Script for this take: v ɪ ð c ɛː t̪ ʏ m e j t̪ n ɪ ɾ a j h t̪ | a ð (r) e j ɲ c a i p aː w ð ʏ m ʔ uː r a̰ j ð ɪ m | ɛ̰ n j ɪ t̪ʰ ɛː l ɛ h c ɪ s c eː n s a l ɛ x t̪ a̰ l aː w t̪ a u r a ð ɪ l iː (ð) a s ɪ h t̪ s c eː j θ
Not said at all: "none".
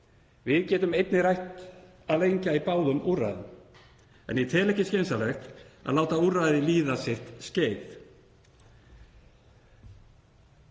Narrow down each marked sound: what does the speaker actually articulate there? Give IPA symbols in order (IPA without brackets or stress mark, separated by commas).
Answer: l, ð